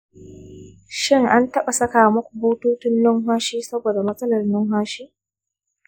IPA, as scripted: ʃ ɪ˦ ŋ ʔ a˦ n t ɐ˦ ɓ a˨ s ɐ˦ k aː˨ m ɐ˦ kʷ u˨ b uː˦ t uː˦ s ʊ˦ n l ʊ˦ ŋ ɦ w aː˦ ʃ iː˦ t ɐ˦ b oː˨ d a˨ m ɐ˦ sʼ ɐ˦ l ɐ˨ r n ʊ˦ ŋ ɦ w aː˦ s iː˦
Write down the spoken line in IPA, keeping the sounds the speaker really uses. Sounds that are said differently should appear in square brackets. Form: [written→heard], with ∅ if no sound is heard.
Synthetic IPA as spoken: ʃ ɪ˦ ŋ ʔ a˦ n t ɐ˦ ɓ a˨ s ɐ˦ k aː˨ m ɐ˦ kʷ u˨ b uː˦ t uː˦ [s→t] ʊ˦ n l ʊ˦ ŋ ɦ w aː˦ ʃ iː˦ [t→s] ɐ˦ b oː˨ d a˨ m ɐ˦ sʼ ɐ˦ l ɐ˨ r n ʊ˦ ŋ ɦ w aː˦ [s→ʃ] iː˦